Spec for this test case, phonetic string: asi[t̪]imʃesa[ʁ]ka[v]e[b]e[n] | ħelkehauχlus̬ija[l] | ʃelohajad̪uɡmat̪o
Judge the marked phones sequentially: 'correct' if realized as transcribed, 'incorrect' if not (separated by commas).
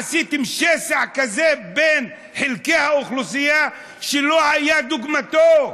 correct, incorrect, incorrect, correct, correct, incorrect